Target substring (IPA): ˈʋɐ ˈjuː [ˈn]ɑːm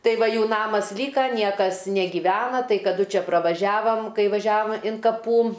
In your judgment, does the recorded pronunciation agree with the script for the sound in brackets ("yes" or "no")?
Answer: yes